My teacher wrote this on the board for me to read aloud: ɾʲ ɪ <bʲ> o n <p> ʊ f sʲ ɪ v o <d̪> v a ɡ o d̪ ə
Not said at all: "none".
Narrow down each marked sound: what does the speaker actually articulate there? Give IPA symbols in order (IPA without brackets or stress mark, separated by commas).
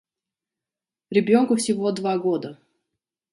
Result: bʲ, k, d̪